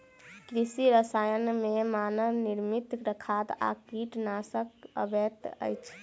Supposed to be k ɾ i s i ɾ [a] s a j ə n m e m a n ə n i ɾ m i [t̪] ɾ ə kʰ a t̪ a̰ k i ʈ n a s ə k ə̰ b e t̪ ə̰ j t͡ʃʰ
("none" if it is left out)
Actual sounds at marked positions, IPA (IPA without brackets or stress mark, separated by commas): ə, t̪